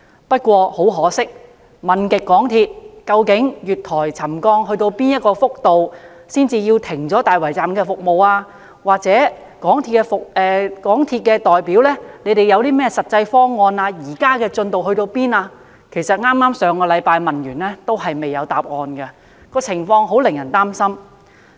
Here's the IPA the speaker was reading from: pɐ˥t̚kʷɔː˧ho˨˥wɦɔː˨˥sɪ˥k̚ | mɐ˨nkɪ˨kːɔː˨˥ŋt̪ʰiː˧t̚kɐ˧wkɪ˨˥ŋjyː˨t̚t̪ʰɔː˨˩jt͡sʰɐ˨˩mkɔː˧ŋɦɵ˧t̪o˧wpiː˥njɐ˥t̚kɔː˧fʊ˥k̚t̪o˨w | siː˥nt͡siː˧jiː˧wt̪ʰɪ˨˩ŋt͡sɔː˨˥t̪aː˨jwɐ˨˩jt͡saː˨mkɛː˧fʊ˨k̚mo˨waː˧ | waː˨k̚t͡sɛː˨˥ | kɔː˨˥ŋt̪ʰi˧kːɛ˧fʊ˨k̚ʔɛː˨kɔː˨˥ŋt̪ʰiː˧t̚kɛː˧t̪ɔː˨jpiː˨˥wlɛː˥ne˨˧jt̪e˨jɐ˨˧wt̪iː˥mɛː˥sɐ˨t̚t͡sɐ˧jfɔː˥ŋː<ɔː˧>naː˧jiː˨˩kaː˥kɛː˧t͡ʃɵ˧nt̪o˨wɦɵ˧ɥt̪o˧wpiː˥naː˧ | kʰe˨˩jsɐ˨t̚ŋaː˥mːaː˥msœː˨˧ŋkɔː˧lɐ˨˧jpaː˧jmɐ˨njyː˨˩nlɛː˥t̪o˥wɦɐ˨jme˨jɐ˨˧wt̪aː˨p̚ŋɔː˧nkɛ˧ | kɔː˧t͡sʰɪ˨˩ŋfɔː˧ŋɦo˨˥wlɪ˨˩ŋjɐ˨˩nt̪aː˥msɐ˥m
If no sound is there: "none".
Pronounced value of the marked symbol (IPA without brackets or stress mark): ɔː˧